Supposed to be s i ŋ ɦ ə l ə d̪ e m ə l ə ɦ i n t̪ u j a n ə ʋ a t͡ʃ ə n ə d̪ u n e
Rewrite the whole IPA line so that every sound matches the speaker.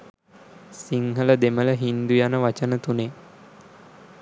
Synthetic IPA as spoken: s i ŋ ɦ ə l ə d̪ e m ə l ə ɦ i n d̪ u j a n ə ʋ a t͡ʃ ə n ə t̪ u n e